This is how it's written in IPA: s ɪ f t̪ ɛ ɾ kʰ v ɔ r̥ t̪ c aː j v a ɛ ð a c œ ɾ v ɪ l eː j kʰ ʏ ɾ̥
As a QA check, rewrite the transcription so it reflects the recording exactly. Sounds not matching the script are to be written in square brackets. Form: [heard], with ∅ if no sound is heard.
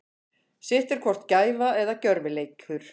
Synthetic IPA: s ɪ [h] t̪ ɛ ɾ kʰ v ɔ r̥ t̪ c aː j v a ɛ ð a c œ ɾ v ɪ l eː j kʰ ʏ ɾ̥